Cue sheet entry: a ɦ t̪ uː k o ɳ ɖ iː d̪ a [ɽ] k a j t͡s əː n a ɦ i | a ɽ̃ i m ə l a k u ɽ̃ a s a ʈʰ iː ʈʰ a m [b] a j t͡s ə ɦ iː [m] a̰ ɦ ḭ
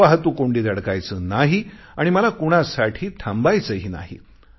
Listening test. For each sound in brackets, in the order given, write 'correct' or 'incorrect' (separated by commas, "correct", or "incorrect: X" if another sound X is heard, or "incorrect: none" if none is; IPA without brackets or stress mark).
correct, correct, incorrect: n